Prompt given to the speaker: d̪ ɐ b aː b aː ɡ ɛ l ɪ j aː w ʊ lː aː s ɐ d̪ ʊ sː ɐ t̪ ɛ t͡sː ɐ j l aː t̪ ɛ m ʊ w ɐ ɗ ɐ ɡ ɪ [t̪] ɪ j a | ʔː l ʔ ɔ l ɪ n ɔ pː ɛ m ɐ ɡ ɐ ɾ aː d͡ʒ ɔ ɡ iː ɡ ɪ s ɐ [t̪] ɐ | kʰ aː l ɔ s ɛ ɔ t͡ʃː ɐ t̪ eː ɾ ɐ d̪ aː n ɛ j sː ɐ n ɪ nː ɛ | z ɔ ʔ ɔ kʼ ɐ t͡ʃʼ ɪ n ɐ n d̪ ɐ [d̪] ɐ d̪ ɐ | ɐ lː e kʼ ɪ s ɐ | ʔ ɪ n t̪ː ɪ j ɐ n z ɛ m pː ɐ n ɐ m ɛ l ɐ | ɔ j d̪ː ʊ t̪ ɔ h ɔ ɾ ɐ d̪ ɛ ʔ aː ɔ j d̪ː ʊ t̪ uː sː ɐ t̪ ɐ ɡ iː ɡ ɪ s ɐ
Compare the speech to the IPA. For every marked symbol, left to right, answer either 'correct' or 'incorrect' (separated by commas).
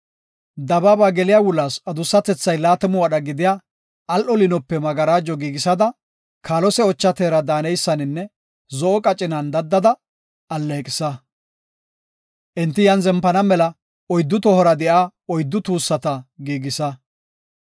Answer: incorrect, incorrect, incorrect